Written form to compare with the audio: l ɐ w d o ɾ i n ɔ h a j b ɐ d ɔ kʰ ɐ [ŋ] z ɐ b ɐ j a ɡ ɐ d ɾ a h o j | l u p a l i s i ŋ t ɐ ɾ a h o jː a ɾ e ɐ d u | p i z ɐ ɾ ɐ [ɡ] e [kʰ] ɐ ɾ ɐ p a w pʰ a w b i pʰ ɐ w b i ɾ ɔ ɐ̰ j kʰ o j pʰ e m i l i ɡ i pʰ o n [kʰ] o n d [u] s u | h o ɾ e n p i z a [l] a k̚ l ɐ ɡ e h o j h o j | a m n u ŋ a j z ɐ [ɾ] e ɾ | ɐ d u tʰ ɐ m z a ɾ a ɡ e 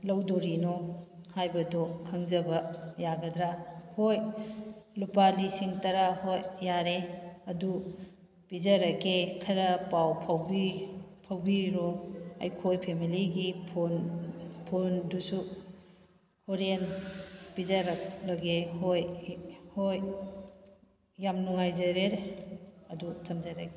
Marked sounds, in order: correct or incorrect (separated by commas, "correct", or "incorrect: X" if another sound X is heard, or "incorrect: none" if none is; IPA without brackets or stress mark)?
correct, incorrect: k, correct, incorrect: pʰ, correct, incorrect: ɾ, correct